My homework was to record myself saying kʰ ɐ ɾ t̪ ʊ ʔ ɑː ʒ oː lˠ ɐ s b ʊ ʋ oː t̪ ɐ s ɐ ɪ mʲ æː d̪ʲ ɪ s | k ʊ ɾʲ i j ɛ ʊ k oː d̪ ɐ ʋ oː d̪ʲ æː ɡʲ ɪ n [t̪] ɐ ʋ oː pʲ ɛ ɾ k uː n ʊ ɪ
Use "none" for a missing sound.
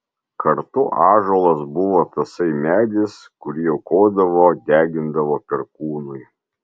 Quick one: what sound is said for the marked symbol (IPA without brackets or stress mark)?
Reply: d̪